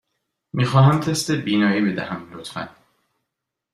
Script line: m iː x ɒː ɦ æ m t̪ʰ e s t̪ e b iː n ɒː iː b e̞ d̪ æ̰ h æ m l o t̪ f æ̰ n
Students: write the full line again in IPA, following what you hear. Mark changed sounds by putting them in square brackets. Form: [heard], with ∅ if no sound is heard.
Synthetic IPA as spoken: m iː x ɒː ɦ æ m t̪ʰ e s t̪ e b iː n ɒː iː b e̞ d̪ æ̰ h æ m l o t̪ f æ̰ n